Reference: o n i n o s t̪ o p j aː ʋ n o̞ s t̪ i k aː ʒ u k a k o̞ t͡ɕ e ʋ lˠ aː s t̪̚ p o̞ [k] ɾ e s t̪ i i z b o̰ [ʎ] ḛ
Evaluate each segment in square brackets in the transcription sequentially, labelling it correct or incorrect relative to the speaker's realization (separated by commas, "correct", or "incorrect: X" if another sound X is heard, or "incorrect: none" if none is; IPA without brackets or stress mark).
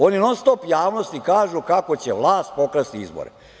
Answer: correct, incorrect: ɾ